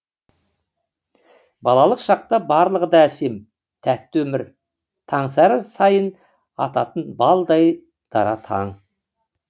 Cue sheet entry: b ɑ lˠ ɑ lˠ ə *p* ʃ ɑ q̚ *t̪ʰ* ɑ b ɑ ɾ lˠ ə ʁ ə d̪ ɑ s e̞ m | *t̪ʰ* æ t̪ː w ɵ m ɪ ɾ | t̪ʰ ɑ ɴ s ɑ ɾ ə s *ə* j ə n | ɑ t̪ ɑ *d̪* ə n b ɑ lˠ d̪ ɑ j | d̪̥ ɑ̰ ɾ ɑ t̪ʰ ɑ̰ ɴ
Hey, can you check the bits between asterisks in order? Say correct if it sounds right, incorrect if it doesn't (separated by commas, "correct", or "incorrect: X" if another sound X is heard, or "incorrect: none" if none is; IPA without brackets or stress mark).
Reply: incorrect: q, incorrect: t̪, correct, incorrect: ɑ, incorrect: t̪